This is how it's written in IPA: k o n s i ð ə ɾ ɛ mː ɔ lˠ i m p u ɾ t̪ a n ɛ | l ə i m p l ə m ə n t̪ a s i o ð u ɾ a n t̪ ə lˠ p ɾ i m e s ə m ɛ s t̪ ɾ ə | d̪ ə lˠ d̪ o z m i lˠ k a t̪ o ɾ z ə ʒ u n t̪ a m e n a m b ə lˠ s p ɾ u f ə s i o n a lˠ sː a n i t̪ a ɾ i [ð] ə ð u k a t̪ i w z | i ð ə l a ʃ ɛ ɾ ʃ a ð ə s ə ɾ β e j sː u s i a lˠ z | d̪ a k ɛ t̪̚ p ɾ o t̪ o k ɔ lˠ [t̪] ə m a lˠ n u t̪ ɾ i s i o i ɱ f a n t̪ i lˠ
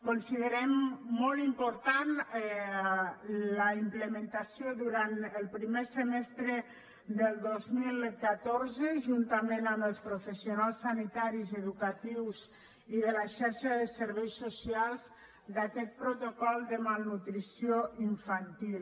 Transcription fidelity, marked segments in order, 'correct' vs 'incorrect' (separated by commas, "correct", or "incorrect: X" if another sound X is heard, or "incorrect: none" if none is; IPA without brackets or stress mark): incorrect: z, incorrect: d̪